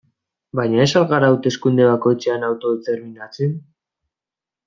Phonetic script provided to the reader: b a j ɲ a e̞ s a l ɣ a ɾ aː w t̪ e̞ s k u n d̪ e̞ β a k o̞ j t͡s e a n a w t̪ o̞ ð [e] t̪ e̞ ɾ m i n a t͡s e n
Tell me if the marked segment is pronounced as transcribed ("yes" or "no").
yes